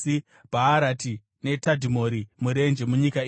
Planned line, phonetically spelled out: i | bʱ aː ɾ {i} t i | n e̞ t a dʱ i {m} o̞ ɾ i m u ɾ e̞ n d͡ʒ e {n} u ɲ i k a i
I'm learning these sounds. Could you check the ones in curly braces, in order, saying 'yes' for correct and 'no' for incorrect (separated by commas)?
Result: no, yes, no